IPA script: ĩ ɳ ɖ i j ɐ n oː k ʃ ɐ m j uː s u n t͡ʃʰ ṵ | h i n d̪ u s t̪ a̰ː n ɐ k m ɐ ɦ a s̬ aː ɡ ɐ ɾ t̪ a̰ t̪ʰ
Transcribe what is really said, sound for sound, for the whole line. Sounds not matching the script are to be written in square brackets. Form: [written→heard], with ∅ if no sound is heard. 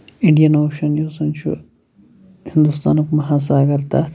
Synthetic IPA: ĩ ɳ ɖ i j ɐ n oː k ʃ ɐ [m→n] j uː s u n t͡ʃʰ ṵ | h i n d̪ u s t̪ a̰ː n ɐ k m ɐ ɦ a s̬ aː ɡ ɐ ɾ t̪ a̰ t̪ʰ